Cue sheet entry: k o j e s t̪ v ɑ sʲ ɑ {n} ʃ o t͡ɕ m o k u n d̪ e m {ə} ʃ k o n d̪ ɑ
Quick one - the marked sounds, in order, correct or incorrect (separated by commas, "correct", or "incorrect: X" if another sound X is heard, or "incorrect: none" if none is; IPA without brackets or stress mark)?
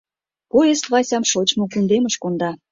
incorrect: m, correct